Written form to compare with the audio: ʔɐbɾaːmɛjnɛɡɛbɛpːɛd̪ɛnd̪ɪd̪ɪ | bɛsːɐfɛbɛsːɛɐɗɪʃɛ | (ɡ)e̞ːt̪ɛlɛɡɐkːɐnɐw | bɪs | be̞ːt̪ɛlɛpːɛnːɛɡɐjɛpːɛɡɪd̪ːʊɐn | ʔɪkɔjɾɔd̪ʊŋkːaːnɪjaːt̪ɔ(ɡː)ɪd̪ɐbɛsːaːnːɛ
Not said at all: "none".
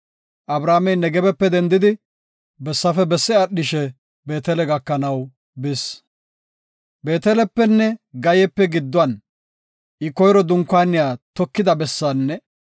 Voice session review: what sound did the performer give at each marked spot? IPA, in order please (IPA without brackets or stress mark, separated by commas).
b, kː